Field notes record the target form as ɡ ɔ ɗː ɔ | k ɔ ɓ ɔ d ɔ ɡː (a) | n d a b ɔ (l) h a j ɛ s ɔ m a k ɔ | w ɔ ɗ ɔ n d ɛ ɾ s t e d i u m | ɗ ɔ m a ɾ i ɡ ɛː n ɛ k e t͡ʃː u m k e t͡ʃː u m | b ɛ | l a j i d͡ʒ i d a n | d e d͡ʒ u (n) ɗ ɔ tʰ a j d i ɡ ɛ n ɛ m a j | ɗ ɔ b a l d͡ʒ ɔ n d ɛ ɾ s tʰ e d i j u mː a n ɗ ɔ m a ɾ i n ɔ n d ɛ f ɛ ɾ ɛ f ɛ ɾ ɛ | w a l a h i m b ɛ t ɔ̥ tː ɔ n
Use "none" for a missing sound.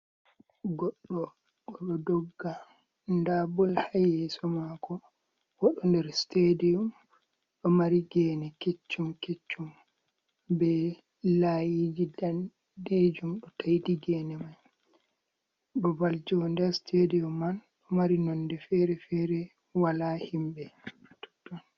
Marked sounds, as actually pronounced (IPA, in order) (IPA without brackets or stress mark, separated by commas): a, l, m